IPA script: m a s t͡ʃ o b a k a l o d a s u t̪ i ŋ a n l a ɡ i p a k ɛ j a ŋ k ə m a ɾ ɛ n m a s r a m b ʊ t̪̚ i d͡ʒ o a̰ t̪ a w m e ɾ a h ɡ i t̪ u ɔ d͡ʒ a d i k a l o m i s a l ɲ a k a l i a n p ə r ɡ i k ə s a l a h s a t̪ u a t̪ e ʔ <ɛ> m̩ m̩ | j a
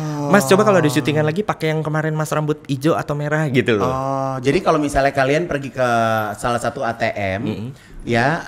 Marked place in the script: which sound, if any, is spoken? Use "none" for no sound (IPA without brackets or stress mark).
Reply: ɛ